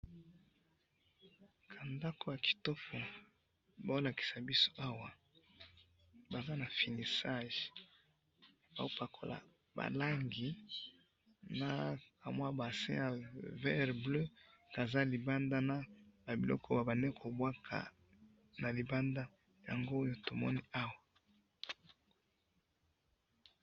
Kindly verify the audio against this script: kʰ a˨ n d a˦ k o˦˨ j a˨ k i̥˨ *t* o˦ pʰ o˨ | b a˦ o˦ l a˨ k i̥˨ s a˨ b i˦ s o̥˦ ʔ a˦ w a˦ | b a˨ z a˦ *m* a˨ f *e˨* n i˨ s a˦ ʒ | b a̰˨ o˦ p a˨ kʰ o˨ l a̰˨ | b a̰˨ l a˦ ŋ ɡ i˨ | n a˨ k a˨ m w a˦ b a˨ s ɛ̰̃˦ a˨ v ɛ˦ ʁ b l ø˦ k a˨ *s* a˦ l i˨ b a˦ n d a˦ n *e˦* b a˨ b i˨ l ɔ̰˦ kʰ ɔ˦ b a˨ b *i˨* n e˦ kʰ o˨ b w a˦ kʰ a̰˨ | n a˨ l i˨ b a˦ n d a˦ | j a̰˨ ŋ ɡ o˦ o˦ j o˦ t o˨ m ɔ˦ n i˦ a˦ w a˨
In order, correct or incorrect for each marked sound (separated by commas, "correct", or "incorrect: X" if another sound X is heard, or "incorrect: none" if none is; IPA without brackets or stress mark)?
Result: correct, incorrect: n, incorrect: i˨, incorrect: z, incorrect: a˦, incorrect: a˨